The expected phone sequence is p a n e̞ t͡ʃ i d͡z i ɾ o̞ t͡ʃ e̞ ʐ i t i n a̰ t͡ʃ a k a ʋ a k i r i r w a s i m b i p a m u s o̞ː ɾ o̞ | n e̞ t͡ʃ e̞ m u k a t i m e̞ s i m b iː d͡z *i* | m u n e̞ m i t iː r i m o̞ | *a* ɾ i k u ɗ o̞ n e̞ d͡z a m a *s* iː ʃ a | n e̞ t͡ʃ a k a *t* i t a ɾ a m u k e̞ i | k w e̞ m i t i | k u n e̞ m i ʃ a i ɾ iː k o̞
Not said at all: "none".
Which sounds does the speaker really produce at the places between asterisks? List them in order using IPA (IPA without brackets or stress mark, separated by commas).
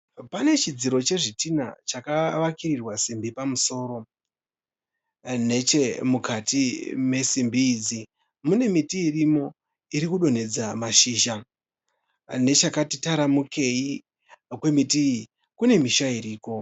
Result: i, i, ʃ, t